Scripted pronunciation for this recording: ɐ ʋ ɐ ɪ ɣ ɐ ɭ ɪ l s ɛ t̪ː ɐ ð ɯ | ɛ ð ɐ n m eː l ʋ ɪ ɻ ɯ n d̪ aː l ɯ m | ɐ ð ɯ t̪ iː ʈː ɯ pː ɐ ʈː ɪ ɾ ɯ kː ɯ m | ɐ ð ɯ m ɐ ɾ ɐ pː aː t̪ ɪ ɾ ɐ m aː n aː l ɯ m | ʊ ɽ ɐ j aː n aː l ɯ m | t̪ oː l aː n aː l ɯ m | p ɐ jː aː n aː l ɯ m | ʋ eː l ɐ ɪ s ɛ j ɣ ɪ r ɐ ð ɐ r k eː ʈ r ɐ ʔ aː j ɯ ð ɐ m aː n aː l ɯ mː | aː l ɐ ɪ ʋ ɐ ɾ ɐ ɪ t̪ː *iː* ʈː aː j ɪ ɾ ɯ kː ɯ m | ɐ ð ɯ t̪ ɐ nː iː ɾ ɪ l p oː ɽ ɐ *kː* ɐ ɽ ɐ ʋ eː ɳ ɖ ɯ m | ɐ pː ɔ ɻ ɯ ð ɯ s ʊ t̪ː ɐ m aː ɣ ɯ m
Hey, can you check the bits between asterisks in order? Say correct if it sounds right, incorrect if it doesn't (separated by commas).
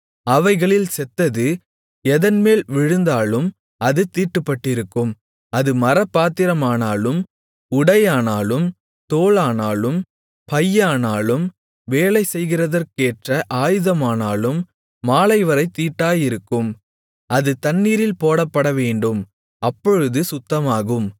correct, incorrect